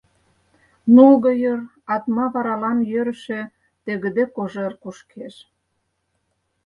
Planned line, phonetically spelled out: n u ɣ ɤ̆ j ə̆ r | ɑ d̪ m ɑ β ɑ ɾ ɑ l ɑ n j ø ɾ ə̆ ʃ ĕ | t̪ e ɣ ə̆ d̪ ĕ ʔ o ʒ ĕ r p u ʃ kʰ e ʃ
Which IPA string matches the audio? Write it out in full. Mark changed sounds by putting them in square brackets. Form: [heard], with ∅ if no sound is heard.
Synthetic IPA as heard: n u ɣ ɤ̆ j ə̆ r | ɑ [t̪] m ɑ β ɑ ɾ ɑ l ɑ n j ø ɾ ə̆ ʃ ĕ | t̪ e ɣ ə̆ d̪ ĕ [k] o ʒ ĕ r [k] u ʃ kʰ e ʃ